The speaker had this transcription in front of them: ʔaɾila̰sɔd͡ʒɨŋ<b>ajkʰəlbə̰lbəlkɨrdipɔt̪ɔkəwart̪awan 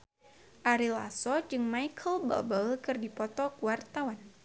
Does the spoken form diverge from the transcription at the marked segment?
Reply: yes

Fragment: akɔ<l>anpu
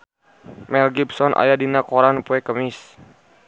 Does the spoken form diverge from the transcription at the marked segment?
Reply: yes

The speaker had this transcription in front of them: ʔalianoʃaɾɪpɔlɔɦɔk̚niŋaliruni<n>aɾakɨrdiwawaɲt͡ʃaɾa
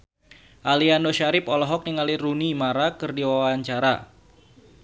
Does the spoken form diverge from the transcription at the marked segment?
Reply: yes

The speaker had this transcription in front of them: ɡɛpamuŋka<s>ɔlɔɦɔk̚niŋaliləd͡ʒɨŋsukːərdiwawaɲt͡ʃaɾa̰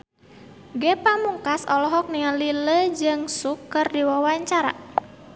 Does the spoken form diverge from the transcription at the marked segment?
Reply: no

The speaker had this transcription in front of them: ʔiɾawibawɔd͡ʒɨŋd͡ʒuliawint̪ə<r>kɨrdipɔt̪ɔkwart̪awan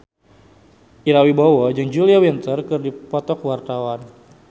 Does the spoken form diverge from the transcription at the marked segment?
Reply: no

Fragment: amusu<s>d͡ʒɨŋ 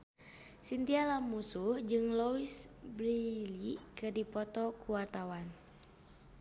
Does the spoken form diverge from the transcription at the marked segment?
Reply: yes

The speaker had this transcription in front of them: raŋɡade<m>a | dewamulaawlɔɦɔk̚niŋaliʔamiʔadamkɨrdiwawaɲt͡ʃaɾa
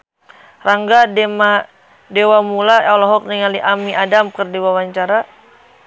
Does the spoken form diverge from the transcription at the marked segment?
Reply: no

